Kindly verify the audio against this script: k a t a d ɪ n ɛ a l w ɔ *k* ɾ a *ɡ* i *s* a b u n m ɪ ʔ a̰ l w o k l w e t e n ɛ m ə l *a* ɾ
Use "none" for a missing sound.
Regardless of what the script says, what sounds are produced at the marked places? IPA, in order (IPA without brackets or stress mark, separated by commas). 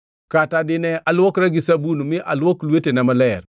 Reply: k, ɡ, s, ɛ